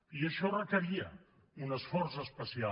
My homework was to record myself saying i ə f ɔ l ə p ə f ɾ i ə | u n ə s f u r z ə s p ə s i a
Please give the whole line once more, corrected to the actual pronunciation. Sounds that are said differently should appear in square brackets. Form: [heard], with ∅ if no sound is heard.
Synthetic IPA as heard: i ə [ʃ] ɔ [r] ə [k] ə [∅] ɾ i ə | u n ə s f [ɔ] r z ə s p ə s i a